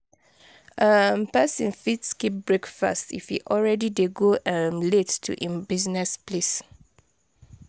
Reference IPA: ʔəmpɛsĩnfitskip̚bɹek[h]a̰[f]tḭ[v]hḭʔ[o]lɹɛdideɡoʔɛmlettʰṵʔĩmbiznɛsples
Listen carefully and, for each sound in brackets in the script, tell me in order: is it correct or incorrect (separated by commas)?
incorrect, incorrect, incorrect, incorrect